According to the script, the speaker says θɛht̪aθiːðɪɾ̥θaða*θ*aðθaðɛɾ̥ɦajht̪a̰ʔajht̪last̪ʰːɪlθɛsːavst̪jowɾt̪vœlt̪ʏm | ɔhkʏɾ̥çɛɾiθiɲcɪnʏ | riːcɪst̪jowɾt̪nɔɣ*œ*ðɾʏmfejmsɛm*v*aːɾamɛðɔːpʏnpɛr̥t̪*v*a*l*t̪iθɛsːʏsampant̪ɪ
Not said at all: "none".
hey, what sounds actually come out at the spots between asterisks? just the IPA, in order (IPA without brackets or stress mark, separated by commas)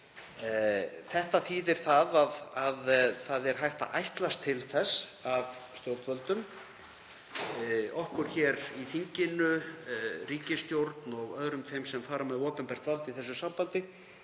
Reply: ð, œ, f, v, l